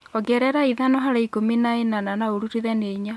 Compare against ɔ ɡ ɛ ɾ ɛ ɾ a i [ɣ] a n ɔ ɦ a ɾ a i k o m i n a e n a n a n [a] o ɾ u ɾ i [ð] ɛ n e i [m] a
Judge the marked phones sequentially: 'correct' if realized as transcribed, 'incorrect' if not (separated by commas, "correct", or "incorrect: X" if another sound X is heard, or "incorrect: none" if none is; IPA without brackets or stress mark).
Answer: incorrect: ð, correct, correct, incorrect: ɲ